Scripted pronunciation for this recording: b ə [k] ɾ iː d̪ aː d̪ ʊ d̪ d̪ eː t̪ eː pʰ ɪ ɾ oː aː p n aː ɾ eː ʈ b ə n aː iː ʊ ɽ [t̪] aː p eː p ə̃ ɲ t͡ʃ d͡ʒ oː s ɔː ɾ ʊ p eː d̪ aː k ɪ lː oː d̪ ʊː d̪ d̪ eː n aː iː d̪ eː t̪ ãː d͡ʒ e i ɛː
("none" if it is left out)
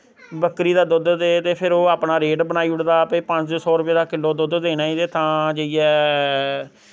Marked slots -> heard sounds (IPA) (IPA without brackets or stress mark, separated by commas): k, d̪